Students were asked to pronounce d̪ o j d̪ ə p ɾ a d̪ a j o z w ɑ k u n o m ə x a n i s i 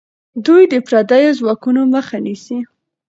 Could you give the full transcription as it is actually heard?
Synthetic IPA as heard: d̪ u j d̪ ə p ɾ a d̪ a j o z w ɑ k u n o m ə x a n i s i